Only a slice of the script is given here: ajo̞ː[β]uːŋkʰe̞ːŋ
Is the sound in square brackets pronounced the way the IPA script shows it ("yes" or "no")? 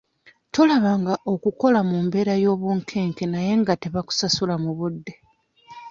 yes